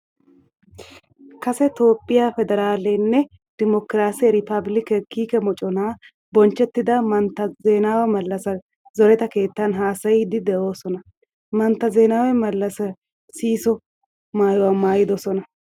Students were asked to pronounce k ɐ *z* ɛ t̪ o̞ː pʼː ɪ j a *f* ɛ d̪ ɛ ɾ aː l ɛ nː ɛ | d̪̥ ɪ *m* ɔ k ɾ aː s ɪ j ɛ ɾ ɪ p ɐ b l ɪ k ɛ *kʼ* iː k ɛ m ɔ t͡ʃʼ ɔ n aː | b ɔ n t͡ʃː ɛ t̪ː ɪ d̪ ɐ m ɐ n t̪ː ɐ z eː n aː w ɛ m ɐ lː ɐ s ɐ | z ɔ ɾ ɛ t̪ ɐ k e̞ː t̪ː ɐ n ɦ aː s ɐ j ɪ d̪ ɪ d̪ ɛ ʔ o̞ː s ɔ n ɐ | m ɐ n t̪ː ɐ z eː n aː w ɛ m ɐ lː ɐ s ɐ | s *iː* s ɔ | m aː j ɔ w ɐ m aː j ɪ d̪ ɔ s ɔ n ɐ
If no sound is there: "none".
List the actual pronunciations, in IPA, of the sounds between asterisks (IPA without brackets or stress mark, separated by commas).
s, f, m, k, iː